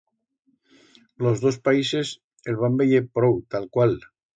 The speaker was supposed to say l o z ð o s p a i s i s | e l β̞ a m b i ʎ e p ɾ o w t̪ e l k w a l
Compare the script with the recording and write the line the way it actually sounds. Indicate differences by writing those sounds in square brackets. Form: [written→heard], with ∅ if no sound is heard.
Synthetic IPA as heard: l o z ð o s p a i s [i→e] s | e l β̞ a m b [i→e] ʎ e p ɾ o w t̪ [e→a] l k w a l